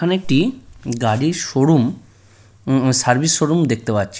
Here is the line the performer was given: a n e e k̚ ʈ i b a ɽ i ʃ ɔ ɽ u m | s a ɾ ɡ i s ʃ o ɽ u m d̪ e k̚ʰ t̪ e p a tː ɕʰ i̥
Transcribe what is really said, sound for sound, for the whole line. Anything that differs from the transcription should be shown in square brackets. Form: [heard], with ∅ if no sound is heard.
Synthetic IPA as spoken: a n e e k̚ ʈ i [ɡ] a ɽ i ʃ [o] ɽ u m | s a ɾ [b] i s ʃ o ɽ u m d̪ e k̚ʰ t̪ e p a tː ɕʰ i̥